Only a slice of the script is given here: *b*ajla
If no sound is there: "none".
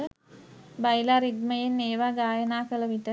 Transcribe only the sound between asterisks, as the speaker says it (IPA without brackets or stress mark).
b